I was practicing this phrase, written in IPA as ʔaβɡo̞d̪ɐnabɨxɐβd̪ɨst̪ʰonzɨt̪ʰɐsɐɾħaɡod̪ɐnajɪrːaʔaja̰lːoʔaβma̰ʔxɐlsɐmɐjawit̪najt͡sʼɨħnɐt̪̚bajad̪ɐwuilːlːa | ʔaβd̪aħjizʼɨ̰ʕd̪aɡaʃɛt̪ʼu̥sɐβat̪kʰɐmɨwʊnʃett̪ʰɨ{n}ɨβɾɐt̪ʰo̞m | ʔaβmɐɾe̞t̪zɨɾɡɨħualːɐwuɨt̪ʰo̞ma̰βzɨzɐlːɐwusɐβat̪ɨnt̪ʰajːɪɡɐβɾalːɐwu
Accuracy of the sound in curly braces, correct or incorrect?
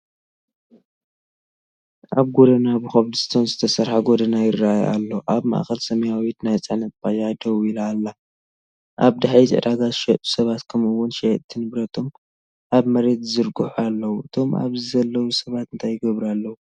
correct